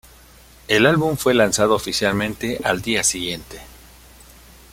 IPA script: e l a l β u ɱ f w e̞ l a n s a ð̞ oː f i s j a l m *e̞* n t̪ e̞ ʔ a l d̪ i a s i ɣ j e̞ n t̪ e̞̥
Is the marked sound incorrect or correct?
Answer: incorrect: ẽ̞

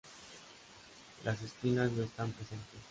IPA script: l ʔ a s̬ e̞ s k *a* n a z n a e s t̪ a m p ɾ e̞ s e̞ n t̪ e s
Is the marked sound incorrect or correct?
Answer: incorrect: i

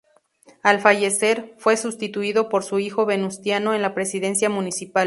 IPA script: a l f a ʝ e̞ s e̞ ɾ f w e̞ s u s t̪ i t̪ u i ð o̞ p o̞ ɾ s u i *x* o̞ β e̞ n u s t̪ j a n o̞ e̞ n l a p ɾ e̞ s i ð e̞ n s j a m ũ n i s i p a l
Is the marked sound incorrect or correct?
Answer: correct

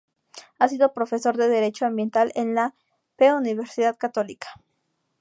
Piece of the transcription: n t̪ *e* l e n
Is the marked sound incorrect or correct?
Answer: incorrect: a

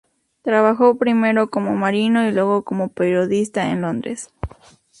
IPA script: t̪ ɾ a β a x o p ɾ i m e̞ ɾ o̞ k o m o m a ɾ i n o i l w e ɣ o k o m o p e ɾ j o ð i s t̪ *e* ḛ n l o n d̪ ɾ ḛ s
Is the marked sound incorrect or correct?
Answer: incorrect: a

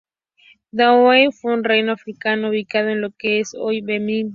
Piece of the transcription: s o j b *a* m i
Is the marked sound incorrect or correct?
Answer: incorrect: e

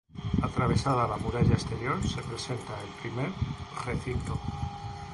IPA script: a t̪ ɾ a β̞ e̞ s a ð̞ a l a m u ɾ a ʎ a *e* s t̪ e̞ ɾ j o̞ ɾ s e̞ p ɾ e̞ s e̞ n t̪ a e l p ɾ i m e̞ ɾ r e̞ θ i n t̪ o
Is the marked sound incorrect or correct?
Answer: correct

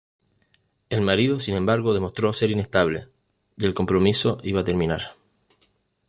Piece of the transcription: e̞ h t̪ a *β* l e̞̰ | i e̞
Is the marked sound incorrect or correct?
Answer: correct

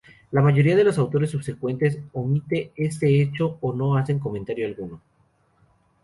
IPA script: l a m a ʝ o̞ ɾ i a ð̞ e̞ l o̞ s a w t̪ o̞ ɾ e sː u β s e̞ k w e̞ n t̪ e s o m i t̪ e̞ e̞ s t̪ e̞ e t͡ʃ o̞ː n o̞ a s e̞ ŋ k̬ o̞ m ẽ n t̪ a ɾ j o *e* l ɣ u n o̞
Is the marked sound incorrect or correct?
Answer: incorrect: a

